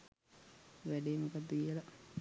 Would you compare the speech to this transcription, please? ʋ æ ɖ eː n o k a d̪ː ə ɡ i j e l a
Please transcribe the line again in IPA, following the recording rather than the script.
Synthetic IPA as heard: ʋ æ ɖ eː m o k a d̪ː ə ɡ i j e l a